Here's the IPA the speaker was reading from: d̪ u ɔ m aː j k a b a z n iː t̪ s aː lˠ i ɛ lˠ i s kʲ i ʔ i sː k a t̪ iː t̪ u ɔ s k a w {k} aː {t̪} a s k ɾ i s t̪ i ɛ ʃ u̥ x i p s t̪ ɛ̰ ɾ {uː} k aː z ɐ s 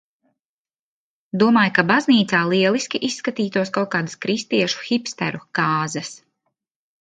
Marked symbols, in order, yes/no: yes, no, no

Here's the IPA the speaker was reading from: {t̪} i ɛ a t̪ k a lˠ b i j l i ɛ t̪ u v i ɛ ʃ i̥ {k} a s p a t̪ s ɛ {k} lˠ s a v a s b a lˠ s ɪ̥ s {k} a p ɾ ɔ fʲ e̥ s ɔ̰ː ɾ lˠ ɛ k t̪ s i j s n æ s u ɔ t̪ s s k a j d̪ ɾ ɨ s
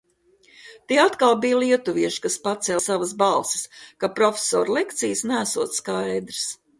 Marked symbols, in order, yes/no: yes, yes, no, yes

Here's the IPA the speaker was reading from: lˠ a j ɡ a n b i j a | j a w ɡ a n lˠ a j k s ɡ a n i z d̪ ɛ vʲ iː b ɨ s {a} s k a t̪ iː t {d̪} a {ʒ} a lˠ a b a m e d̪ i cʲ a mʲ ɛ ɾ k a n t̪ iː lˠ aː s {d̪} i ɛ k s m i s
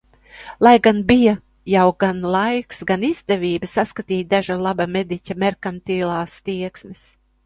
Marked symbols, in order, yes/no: yes, yes, yes, no

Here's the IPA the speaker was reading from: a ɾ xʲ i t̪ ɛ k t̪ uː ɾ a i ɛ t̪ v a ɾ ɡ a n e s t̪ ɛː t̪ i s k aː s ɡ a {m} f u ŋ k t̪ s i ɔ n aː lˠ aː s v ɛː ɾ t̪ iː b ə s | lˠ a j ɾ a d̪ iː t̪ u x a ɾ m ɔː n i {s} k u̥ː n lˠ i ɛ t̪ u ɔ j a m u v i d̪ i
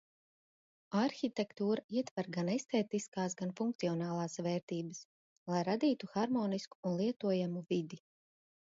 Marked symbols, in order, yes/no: no, yes

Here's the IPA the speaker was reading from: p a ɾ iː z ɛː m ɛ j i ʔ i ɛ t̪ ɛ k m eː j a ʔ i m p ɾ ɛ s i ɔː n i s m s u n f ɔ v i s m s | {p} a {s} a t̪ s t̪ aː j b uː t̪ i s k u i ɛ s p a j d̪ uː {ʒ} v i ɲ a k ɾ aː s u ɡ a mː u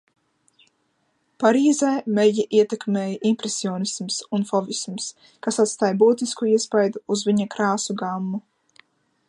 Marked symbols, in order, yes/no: no, yes, no

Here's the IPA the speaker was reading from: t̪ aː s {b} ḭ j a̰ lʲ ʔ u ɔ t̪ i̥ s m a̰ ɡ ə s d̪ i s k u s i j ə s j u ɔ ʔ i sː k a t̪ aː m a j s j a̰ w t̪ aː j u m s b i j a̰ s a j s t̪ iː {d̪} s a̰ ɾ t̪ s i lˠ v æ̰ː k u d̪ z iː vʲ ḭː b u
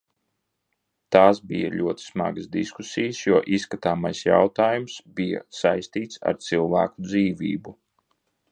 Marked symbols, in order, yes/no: yes, no

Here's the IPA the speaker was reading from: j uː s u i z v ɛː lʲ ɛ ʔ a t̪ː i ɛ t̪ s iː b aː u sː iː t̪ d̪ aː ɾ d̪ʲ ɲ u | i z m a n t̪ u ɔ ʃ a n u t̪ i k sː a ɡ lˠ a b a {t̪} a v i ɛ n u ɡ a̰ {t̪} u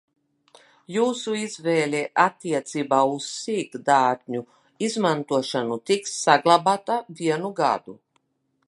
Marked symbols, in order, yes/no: yes, no

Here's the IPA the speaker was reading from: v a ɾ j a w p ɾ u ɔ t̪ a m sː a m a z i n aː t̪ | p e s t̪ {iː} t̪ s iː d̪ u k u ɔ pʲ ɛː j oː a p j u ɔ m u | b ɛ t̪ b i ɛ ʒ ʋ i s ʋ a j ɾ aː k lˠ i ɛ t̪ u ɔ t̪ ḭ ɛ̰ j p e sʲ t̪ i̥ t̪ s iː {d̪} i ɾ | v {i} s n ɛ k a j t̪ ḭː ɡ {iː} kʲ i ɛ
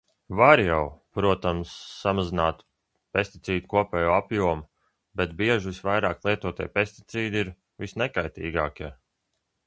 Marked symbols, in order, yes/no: no, yes, yes, no

